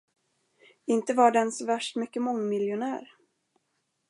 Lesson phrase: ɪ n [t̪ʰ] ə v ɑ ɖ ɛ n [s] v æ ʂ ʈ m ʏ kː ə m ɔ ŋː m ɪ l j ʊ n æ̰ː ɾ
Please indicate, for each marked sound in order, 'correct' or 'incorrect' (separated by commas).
incorrect, correct